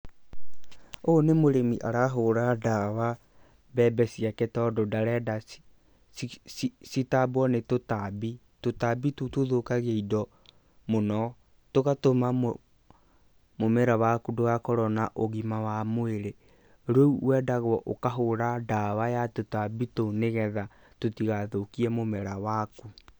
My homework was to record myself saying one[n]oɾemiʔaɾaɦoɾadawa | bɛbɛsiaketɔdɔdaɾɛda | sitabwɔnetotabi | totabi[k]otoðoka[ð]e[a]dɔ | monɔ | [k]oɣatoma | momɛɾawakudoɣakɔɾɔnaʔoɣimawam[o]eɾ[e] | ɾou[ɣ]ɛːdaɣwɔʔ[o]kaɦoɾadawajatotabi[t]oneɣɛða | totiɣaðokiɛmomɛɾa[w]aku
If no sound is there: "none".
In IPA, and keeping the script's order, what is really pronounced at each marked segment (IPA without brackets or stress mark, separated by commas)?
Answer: m, t, ɣ, i, t, o, e, w, o, t, w